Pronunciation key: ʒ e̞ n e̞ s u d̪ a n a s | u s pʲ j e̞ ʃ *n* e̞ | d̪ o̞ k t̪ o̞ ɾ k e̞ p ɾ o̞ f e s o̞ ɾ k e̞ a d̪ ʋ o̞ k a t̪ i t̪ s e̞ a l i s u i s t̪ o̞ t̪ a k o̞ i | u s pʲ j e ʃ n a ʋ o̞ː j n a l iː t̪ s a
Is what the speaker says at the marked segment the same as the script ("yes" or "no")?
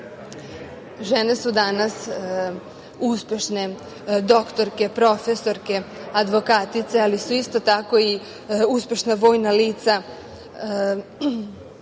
yes